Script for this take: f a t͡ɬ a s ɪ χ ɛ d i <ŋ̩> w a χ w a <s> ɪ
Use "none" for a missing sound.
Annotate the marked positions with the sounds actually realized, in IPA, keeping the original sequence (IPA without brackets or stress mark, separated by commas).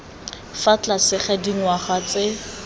ŋ̩, t͡s